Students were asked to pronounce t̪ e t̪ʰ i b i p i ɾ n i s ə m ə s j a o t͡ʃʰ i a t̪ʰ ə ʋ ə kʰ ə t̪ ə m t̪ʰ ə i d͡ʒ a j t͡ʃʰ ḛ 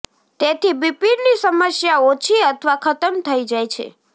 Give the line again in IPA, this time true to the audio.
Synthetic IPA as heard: t̪ e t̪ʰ i b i p i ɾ n i s ə m ə s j a o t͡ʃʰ i ə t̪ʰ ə ʋ a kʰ ə t̪ ə m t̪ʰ ə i d͡ʒ a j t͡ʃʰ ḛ